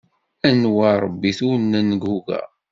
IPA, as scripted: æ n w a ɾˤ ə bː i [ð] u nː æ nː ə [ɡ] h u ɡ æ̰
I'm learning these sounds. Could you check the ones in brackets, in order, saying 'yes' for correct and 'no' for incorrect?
no, yes

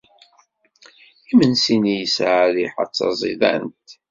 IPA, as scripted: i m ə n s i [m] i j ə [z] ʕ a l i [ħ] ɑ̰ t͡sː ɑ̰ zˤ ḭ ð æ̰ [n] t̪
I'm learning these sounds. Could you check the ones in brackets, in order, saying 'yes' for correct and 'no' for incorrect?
no, no, yes, yes

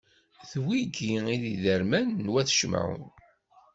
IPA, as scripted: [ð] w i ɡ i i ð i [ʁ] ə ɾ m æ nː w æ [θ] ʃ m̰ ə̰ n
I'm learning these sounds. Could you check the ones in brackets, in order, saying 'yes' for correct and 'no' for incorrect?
no, no, yes

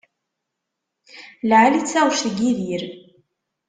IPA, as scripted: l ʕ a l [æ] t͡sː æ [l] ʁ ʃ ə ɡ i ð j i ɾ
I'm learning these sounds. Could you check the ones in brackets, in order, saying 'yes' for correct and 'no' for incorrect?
no, no

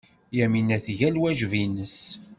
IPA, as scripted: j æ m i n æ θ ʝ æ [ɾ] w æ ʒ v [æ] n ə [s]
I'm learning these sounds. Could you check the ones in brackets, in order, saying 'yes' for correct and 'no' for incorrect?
no, no, yes

